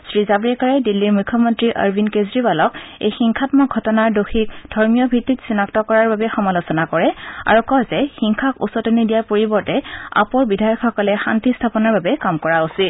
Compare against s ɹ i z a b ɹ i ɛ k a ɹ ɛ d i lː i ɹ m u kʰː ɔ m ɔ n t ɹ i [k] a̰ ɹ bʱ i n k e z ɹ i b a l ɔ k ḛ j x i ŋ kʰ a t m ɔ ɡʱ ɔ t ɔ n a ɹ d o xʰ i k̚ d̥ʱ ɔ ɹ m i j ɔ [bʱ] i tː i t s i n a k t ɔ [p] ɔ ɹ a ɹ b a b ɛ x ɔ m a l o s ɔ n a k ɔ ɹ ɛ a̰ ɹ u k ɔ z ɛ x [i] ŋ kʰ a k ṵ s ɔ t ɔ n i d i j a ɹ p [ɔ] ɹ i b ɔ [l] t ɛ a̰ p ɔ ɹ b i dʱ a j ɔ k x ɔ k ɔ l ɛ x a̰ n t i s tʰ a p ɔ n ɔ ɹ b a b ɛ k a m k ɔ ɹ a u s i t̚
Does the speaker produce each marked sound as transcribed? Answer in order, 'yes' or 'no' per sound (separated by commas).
no, yes, no, yes, no, no